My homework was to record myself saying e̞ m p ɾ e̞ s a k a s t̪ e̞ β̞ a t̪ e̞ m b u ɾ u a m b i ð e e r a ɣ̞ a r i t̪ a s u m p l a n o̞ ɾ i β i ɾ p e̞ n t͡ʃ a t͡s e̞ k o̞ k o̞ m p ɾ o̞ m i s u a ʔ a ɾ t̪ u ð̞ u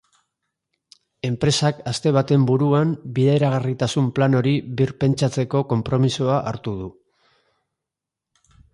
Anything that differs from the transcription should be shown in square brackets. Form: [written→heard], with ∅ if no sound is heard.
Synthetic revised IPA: e̞ m p ɾ e̞ s a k a s t̪ e̞ β̞ a t̪ e̞ m b u ɾ u a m b i ð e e [r→ɾ] a ɣ̞ a r i t̪ a s u m p l a n o̞ ɾ i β i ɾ p e̞ n t͡ʃ a t͡s e̞ k o̞ k o̞ m p ɾ o̞ m i s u a ʔ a ɾ t̪ u ð̞ u